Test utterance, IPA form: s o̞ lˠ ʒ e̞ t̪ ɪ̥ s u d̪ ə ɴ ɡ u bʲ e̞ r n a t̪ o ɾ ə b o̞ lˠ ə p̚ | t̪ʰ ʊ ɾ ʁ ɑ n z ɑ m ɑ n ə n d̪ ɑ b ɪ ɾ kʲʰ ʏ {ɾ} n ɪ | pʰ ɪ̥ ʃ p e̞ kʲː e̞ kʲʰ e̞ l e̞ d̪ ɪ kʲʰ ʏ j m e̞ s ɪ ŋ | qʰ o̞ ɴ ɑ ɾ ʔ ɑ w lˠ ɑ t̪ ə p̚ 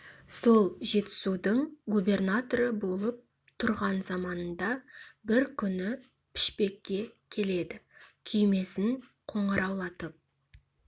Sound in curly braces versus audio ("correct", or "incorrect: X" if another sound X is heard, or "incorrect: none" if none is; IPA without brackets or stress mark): incorrect: none